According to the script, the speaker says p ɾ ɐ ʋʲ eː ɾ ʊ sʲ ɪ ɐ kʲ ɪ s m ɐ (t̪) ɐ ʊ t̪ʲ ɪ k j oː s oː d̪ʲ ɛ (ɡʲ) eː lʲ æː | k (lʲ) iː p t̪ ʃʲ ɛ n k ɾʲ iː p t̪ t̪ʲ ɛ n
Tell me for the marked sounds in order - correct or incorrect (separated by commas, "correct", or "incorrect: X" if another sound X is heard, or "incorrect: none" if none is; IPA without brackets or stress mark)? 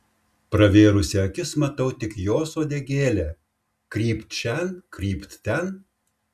correct, correct, incorrect: ɾʲ